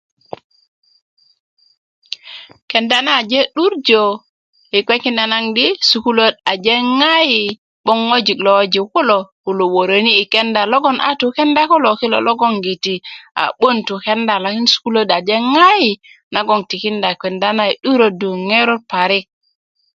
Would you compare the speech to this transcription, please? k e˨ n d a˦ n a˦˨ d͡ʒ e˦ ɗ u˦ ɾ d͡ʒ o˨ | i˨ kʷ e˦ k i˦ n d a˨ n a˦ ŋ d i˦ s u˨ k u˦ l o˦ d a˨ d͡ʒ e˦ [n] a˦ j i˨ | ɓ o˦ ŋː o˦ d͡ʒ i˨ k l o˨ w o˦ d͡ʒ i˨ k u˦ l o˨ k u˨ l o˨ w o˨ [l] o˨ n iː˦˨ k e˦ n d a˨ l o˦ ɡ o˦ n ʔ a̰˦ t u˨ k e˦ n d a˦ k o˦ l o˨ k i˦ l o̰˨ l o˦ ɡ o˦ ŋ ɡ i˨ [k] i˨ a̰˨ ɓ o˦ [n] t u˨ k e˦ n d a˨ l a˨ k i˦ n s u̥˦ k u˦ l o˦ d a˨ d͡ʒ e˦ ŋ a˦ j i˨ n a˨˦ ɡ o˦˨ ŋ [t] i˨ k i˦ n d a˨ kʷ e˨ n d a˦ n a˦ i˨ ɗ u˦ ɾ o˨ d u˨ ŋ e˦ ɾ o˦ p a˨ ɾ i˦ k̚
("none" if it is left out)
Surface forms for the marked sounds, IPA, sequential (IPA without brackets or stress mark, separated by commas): ŋ, ɾ, t, n, t